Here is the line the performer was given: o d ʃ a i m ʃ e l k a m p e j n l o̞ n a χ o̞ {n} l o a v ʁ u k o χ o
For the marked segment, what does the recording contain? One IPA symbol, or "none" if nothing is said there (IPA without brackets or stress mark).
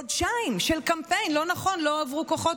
n